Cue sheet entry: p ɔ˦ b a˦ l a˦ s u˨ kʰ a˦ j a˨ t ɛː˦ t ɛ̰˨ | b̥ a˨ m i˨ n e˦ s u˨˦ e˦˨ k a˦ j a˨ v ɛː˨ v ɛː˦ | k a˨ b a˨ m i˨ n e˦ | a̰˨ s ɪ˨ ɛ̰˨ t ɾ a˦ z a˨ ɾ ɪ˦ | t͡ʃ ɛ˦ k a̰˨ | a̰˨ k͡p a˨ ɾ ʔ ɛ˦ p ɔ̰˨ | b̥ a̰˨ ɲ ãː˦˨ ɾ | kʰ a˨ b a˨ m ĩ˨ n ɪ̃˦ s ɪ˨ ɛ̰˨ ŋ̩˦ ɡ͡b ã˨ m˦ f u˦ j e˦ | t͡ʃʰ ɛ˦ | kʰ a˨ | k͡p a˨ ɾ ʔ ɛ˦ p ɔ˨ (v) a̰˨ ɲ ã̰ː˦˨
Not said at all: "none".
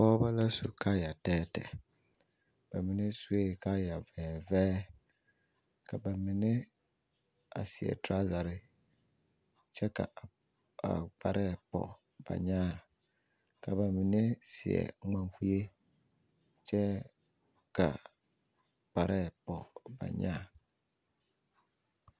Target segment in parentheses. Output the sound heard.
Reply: b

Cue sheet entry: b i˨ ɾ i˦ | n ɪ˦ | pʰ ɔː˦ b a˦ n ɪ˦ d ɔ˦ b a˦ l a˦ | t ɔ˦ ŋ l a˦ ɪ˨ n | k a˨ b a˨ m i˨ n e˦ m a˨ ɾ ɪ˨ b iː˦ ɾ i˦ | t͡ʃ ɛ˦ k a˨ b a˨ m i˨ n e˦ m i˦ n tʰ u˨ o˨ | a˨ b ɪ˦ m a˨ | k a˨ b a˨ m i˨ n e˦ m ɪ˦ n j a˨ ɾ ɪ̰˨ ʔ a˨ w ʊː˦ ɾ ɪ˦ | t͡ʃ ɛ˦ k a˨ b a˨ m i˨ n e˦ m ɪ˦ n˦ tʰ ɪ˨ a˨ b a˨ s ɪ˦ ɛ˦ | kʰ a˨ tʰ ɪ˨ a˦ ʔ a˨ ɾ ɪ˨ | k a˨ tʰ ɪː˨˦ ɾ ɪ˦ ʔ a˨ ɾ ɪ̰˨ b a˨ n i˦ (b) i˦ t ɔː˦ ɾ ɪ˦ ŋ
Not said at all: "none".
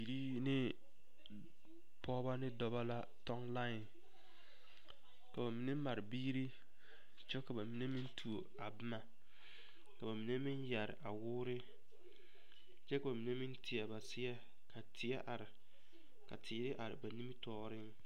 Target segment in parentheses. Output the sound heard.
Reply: m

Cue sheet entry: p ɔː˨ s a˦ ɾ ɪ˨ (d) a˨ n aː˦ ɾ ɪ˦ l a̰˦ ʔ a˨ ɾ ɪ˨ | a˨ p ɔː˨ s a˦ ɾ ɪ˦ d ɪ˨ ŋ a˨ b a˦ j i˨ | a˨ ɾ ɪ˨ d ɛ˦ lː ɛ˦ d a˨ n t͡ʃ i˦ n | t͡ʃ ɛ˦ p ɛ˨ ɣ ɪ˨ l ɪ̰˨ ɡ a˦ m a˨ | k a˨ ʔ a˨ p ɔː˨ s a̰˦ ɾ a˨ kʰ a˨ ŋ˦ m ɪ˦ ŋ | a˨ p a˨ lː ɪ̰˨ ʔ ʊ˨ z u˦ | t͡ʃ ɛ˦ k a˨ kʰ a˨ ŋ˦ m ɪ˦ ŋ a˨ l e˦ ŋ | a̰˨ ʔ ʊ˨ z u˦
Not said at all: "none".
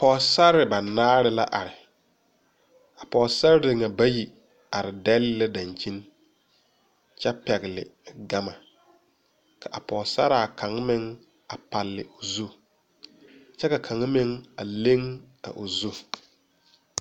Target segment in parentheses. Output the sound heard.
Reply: b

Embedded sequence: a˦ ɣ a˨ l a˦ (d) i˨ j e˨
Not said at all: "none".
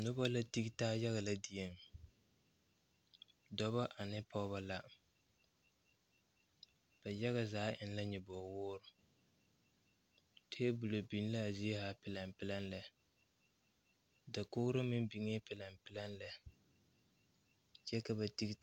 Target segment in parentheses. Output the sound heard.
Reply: d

